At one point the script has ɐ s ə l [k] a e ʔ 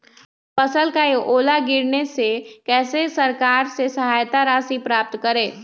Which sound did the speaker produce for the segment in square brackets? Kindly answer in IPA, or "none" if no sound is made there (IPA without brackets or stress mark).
k